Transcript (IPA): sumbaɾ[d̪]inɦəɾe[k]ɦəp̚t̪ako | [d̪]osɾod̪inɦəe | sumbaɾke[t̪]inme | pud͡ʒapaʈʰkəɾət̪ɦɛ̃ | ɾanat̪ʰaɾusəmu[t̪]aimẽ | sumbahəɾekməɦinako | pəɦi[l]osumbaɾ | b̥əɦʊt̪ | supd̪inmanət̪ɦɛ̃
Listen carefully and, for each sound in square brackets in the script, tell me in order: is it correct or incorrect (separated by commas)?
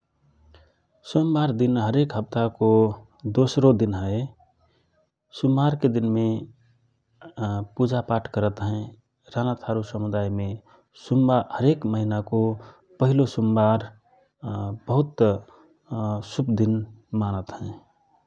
correct, correct, correct, incorrect, incorrect, correct